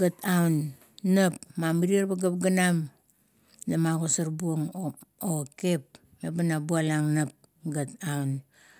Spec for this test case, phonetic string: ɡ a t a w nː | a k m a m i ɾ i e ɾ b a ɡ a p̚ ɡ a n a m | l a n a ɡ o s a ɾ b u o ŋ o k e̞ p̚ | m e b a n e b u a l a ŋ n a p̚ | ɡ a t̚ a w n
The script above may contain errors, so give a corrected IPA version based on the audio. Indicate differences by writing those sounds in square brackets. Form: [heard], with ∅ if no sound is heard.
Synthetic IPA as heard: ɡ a t a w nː | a [p] m a m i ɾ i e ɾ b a ɡ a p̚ ɡ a n a m | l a [m] a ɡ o s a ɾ b u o ŋ o k e̞ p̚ | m e b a n [a] b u a l a ŋ n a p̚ | ɡ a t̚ a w n

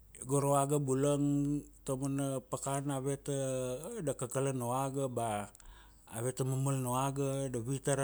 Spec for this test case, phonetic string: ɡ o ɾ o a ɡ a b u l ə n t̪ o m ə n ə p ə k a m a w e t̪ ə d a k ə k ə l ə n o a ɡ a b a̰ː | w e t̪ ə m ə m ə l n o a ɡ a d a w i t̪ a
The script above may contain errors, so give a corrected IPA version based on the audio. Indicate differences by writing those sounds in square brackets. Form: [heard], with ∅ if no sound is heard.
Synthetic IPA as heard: ɡ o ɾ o a ɡ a b u l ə [ŋ] t̪ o m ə n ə p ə k a [n] a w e t̪ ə d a k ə k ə l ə n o a ɡ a b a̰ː | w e t̪ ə m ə m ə l n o a ɡ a d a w i t̪ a

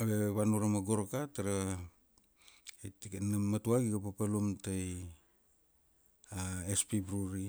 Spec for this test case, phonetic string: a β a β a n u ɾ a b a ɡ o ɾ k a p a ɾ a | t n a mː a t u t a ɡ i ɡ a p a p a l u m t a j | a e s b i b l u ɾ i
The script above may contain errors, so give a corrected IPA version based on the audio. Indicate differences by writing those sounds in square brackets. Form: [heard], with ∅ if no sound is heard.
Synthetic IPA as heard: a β [e] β a n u ɾ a [m] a ɡ o ɾ k a [t] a ɾ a | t n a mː a t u [∅] a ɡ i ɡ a p a p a l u m t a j | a e s [p] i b [ɾ] u ɾ i

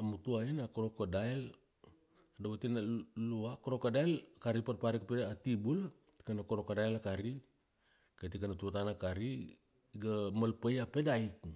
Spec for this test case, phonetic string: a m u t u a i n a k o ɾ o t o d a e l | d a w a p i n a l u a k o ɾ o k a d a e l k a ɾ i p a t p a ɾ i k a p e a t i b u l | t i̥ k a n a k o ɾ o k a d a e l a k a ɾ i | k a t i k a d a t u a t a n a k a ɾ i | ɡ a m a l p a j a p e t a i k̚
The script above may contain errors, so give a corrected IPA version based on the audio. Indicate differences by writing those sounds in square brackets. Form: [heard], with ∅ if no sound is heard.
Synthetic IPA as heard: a m u t u a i n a k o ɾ o [k] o d a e l | d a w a [t] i n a l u a k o ɾ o k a d a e l k a ɾ i p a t p a ɾ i k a p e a t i b u l | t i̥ k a n a k o ɾ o k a d a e l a k a ɾ i | k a t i k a [n] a t u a t a n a k a ɾ i | ɡ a m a l p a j a p e [d] a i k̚

